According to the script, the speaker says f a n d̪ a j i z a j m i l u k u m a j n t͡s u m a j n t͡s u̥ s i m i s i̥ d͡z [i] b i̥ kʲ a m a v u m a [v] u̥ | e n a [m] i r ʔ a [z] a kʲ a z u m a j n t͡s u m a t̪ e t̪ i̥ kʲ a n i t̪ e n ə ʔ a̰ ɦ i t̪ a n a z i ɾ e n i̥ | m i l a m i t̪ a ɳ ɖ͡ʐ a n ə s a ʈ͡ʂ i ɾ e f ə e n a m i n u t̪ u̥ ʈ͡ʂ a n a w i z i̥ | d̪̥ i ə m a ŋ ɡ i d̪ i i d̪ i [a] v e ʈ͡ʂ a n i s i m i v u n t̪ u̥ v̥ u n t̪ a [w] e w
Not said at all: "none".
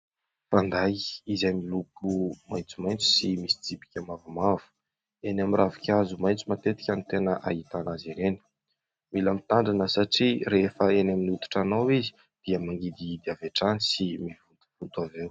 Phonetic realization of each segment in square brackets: i, v, m, v, a, v

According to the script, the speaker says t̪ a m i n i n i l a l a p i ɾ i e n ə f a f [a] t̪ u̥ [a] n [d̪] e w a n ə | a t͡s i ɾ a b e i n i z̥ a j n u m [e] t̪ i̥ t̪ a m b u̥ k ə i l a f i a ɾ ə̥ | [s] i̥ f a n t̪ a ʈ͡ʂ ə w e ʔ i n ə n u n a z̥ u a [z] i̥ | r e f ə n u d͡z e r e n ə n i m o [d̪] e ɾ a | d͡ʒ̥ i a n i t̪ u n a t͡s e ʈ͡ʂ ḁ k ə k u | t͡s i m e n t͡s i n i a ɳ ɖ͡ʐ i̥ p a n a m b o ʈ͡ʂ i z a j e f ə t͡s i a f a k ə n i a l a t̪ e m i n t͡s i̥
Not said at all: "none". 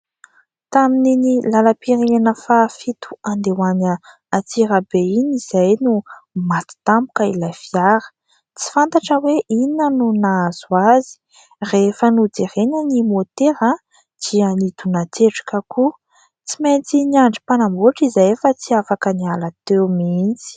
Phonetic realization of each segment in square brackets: i, a, d̪, a, t͡s, z, t̪

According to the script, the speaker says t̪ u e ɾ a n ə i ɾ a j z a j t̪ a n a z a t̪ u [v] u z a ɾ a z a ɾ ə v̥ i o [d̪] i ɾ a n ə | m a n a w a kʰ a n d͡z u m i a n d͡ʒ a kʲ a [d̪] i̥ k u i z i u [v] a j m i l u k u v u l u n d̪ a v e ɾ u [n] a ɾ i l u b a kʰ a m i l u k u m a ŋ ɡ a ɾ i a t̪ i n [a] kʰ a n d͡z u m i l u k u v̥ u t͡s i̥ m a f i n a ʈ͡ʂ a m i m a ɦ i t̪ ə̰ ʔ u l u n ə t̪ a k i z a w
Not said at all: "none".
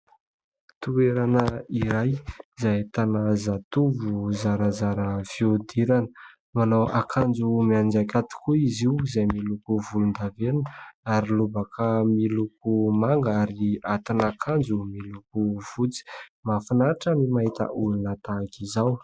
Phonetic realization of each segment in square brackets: v, d̪, t̪, z, n, a

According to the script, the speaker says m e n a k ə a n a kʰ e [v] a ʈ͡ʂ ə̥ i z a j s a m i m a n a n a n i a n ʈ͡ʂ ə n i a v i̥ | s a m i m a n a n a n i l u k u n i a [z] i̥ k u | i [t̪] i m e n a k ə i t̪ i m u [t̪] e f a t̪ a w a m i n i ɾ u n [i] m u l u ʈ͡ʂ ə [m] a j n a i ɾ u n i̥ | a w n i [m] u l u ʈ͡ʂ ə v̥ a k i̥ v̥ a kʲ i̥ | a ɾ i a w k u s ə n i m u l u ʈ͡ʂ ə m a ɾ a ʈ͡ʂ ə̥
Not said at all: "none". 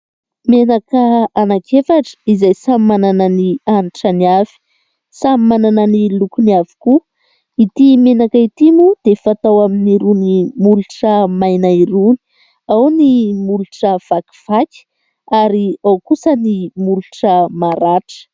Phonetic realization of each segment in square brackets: f, v, t̪, d̪, i, m, m

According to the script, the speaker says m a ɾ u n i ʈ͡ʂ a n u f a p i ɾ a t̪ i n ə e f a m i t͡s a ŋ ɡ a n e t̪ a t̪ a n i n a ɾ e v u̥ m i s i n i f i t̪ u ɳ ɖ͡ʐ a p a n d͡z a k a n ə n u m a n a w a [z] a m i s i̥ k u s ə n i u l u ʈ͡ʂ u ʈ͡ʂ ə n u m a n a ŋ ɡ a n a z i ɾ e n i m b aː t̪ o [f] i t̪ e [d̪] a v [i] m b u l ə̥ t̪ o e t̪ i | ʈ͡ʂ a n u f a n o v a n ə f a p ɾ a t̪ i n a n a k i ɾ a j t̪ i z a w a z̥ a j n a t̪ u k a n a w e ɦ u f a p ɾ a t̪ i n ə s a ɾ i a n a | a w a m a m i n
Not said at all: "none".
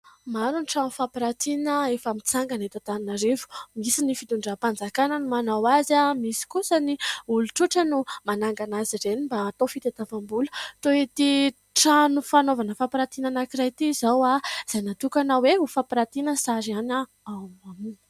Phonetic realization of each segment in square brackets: z, f, t̪, a

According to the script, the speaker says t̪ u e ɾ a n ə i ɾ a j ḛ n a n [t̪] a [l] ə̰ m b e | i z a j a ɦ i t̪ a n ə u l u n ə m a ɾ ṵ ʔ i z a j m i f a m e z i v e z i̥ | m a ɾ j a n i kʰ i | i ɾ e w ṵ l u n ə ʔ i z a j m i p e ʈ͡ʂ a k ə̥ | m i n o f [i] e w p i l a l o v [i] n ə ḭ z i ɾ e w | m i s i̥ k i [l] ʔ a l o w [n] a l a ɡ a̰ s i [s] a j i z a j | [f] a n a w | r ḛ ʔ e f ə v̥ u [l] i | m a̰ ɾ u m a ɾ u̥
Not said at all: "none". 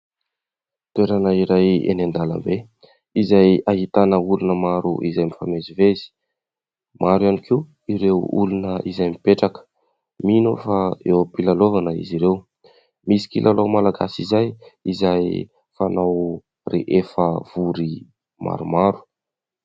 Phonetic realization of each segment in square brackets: d̪, l, a, a, l, m, z, f, ɾ

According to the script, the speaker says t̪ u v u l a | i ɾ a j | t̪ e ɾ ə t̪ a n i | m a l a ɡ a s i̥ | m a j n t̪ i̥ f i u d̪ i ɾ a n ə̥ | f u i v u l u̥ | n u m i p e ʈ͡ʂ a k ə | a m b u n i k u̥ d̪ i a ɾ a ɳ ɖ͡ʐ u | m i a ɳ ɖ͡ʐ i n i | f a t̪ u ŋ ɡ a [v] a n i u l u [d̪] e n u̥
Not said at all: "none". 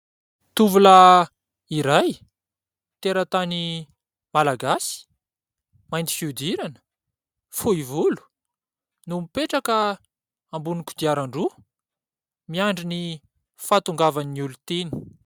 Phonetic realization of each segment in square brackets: v, t̪

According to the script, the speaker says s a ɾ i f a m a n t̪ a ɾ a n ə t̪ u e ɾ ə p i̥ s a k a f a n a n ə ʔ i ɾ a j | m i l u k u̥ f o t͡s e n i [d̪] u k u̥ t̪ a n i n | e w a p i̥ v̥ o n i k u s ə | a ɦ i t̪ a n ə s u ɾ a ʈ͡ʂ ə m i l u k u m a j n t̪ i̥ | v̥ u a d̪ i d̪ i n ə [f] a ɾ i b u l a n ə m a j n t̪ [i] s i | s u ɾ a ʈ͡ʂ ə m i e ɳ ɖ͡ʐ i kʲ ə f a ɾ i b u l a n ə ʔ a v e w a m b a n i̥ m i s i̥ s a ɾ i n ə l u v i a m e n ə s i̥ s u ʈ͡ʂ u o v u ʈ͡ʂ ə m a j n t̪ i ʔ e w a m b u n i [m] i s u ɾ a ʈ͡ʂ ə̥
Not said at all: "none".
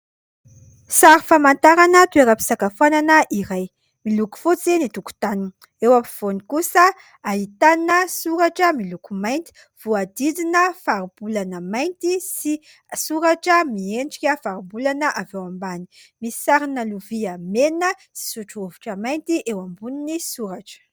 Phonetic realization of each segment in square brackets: t̪, f, i, n

